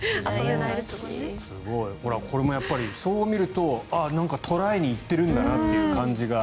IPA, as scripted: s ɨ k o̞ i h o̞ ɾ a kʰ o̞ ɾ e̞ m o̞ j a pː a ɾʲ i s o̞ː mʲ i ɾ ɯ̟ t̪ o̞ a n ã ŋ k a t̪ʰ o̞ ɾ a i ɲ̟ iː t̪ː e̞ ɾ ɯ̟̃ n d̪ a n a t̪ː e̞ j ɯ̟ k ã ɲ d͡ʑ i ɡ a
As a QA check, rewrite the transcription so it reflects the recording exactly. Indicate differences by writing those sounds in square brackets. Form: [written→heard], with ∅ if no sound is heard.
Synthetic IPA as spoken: s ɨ [k→ɡ] o̞ i h o̞ ɾ a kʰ o̞ ɾ e̞ m o̞ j a pː a ɾʲ i s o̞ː mʲ i ɾ ɯ̟ t̪ o̞ a n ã ŋ k a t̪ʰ o̞ ɾ a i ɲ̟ iː t̪ː e̞ ɾ ɯ̟̃ n d̪ a n a t̪ː e̞ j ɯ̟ k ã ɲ d͡ʑ i ɡ a